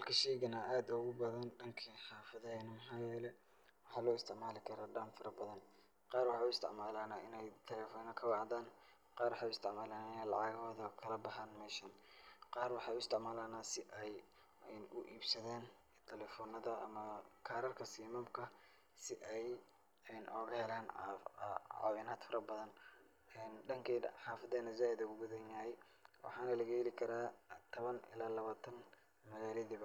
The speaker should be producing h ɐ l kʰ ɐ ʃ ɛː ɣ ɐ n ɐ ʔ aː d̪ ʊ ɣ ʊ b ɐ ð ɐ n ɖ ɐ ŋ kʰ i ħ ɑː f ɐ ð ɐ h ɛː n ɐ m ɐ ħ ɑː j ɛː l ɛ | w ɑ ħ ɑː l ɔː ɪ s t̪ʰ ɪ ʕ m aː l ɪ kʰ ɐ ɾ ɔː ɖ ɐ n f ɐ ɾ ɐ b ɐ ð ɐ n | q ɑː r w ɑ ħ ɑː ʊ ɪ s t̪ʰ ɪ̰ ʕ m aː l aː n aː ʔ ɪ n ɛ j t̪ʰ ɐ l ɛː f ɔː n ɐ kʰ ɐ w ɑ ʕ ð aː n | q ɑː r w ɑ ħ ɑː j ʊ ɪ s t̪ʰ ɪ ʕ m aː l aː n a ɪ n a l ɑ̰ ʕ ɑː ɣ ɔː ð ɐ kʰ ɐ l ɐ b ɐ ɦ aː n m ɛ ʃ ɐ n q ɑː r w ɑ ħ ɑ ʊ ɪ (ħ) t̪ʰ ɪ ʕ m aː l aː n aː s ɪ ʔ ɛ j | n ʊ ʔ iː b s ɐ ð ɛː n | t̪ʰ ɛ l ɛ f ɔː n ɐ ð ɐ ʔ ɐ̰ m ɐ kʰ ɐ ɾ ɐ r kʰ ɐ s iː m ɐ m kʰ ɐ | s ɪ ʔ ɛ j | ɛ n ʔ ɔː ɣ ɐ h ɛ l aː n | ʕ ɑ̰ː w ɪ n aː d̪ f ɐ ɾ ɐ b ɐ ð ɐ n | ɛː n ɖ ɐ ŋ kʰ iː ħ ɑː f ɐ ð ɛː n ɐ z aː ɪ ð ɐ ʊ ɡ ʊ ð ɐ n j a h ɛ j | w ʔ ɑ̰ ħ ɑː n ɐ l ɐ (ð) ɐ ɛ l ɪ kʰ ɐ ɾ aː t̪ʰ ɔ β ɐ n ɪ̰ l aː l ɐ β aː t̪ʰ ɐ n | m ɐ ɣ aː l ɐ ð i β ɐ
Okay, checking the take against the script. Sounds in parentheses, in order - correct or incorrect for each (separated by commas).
incorrect, incorrect